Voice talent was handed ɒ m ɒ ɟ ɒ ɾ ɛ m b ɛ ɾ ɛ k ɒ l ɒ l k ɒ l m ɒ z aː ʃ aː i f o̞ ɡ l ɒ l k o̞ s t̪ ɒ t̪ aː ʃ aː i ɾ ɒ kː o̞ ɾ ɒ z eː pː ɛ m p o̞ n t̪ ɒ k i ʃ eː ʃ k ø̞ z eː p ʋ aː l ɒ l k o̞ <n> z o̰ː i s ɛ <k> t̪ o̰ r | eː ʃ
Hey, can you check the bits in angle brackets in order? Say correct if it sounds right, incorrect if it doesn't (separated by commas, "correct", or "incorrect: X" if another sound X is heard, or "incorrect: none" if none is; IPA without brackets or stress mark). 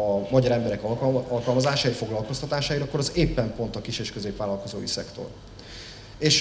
incorrect: none, correct